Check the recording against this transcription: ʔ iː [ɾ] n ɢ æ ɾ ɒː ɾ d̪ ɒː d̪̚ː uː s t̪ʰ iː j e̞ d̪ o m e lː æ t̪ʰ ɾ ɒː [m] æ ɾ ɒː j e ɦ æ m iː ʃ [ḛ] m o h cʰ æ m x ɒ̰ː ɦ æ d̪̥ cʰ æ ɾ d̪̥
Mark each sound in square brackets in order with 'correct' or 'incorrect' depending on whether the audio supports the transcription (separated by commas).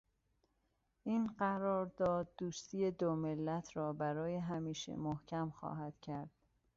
incorrect, incorrect, correct